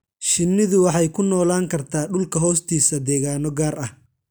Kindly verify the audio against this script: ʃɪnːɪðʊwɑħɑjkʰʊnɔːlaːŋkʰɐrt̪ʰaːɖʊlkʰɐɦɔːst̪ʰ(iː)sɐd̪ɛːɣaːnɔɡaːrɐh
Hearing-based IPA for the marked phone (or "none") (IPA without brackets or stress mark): iː